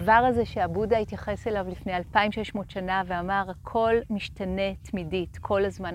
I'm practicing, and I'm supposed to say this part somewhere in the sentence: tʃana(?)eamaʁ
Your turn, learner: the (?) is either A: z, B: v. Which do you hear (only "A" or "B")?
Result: B